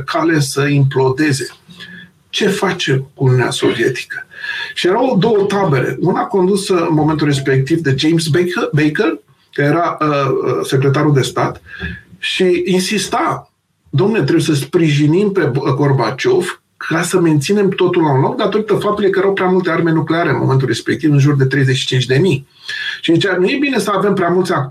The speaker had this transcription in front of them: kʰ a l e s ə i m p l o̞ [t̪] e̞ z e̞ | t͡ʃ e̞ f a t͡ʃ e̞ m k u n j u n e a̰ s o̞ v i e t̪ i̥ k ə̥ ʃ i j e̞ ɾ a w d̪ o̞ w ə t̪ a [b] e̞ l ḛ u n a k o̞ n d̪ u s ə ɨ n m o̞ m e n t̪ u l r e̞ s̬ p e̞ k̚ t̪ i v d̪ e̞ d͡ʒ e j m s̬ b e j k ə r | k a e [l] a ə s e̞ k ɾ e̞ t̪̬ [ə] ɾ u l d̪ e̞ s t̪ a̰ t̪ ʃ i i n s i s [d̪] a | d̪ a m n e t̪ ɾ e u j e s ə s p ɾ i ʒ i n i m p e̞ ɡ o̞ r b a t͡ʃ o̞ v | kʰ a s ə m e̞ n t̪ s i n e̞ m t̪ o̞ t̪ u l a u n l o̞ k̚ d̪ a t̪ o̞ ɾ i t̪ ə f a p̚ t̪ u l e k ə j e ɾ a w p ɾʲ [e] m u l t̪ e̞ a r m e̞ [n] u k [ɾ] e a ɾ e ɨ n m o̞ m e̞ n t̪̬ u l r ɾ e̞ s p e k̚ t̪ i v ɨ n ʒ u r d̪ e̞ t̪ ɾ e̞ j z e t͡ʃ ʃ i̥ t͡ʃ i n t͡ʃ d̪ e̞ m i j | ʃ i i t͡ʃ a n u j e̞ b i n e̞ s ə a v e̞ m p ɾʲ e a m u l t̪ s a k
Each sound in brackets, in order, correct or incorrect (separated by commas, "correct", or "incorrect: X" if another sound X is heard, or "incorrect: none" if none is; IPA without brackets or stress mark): incorrect: d̪, correct, incorrect: ɾ, incorrect: a, incorrect: t̪, incorrect: a, correct, incorrect: l